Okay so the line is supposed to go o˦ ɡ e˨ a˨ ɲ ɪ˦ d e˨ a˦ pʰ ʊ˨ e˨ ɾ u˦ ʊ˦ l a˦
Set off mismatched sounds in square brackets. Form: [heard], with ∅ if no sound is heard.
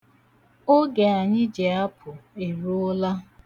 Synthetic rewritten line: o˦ ɡ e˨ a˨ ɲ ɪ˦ [d͡ʒ] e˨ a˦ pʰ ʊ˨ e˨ ɾ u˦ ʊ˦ l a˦